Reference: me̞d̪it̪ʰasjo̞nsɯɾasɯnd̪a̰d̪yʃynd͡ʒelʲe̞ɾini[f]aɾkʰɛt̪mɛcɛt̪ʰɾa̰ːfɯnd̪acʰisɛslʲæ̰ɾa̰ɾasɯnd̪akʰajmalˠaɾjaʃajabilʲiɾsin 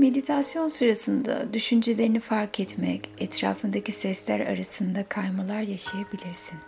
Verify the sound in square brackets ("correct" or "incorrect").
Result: correct